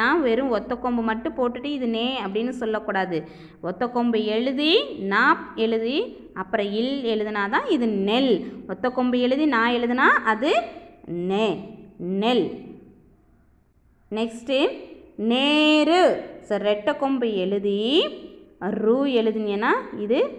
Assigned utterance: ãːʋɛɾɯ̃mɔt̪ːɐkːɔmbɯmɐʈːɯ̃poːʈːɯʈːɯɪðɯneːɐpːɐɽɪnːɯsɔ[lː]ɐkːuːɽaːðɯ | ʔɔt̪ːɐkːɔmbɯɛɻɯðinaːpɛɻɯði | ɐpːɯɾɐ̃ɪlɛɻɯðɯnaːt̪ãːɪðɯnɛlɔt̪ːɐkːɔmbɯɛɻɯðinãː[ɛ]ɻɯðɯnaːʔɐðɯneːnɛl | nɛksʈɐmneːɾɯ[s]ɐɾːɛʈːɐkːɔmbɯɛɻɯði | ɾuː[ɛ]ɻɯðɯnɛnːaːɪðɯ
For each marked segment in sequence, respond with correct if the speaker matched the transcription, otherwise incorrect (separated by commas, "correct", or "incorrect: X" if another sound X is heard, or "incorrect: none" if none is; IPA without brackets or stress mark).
correct, correct, correct, correct